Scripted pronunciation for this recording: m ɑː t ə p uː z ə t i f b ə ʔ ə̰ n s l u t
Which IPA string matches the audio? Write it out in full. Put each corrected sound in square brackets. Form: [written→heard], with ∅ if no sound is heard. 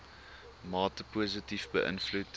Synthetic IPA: m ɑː t ə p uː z ə t i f b ə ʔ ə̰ n [s→f] l u t

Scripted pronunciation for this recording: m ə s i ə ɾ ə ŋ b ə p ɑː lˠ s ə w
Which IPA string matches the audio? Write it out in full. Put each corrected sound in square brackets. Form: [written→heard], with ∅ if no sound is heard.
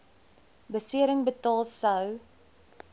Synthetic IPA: [m→b] ə s i ə ɾ ə ŋ b ə [p→t] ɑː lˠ s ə w

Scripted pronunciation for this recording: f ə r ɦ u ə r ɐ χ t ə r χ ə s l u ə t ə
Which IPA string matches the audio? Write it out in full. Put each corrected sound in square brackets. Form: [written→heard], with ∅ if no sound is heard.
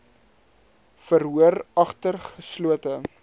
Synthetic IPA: f ə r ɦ u ə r ɐ χ t ə r χ ə s l u ə t ə

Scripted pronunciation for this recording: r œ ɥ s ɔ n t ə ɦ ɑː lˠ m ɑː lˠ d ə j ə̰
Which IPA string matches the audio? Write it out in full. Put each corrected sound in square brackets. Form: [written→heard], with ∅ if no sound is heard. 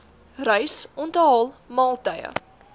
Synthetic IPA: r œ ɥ s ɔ n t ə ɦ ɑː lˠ m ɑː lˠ [d→t] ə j ə̰

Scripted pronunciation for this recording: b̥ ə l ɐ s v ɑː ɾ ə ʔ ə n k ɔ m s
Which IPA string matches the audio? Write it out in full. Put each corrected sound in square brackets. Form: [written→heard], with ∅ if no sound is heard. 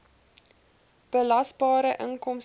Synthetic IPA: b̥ ə l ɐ s [v→b] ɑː ɾ ə ʔ ə [n→ŋ] k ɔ m s

